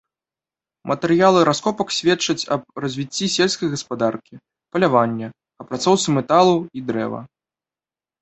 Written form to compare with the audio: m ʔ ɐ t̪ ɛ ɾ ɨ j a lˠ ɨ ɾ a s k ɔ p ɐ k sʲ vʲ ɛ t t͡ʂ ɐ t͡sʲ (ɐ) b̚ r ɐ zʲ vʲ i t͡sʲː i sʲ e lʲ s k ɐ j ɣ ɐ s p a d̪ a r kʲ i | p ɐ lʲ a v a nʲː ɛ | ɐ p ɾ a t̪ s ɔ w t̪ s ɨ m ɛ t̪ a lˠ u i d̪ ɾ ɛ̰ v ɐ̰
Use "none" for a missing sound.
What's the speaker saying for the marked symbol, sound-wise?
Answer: ɐ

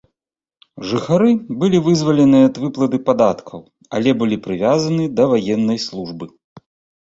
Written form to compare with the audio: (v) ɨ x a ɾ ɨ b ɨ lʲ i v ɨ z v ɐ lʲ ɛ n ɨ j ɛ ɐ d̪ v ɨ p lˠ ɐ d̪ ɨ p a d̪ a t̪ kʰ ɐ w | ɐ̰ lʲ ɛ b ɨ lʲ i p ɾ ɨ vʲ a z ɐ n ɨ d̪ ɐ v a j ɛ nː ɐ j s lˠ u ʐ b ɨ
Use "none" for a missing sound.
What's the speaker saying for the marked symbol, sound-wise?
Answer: ʐ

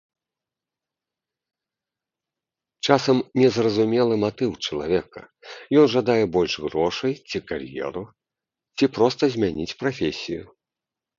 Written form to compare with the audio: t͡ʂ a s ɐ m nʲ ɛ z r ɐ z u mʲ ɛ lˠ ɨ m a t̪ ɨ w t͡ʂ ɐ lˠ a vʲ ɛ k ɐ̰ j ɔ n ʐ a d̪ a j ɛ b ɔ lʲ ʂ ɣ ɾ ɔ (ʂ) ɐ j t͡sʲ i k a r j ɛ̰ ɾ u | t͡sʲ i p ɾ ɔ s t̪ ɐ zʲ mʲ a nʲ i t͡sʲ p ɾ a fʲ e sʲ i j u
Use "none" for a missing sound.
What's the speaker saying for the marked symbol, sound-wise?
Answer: ʂ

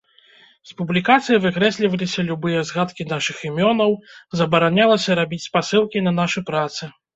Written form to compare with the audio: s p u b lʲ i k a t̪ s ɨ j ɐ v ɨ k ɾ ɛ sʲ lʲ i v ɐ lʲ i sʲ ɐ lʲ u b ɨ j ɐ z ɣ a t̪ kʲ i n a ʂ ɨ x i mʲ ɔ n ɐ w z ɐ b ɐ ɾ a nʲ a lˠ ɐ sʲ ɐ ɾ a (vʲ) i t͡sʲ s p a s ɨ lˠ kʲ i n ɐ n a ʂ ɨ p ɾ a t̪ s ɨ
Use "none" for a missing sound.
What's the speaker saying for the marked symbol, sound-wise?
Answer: bʲ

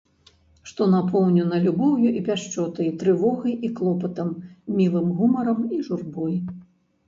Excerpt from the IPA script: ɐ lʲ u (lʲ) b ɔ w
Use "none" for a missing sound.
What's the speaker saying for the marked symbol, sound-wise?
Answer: none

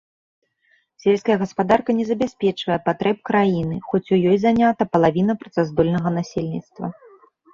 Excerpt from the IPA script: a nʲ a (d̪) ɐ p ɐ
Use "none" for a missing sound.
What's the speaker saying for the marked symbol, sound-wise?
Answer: t̪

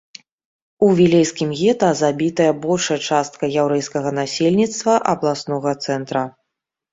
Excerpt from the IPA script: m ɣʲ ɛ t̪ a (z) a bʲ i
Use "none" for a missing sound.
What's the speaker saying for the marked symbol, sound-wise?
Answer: z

